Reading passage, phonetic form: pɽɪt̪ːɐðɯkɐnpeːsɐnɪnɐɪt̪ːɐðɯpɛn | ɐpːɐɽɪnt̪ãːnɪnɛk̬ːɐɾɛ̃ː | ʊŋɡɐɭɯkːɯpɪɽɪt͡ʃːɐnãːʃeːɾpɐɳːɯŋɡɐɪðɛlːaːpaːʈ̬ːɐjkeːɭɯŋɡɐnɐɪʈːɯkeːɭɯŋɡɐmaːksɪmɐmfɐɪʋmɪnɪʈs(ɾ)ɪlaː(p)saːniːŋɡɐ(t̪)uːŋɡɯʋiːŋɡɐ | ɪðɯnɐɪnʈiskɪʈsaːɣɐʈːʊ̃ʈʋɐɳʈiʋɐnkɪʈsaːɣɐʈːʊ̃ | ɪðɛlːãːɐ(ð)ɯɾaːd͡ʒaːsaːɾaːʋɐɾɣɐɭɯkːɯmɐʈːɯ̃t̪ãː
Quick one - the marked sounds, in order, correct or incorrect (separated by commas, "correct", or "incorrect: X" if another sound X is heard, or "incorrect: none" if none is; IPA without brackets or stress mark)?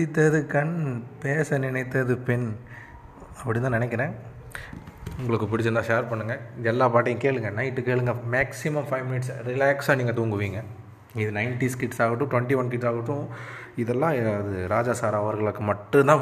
correct, incorrect: k, correct, correct